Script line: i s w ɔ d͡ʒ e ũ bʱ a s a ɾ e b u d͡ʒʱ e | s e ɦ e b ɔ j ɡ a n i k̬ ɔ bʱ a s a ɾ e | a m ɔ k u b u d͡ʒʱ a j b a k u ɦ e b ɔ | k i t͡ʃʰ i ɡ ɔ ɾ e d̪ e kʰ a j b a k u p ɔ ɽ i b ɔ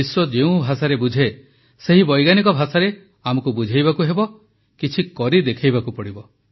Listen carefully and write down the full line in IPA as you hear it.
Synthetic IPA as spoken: i s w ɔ d͡ʒ e ũ bʱ a s a ɾ e b u d͡ʒʱ e | s e ɦ i b ɔ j ɡ a n i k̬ ɔ bʱ a s a ɾ e | a m ɔ k u b u d͡ʒʱ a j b a k u ɦ e b ɔ | k i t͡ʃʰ i k ɔ ɾ i d̪ e kʰ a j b a k u p ɔ ɽ i b ɔ